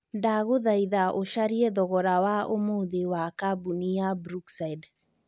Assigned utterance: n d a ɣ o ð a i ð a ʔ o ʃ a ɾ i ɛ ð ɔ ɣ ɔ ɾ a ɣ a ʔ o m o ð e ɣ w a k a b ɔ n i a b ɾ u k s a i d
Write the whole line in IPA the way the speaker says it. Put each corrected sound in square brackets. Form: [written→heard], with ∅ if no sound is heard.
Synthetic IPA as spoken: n d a ɣ o ð a i ð a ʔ o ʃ a ɾ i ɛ ð ɔ ɣ ɔ ɾ a [ɣ→w] a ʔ o m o ð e [ɣ→∅] w a k a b [ɔ→u] n i a b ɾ u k s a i d